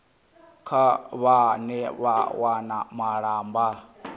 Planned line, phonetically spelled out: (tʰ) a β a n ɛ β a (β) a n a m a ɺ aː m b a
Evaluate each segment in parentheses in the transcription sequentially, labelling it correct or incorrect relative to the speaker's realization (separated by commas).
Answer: incorrect, incorrect